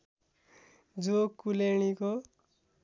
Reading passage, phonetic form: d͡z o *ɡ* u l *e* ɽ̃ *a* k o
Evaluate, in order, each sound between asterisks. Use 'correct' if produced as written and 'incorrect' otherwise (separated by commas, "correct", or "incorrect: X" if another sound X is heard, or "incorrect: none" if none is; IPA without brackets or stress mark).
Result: incorrect: k, correct, incorrect: i